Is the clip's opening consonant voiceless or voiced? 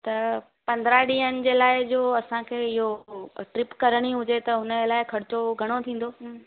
voiceless